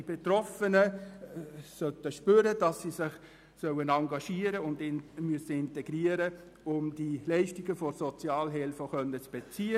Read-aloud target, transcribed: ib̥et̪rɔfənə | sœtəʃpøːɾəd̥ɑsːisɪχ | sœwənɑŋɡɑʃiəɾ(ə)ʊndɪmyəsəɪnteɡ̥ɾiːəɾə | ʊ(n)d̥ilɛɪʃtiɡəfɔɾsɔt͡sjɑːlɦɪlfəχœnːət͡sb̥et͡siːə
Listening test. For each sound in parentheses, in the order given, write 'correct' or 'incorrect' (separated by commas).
correct, incorrect